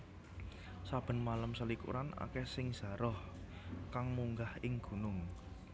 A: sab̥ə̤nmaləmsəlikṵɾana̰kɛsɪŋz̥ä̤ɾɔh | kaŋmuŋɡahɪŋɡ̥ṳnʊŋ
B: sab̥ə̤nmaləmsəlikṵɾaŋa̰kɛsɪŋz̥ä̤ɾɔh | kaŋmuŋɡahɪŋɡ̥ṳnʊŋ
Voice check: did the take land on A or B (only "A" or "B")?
A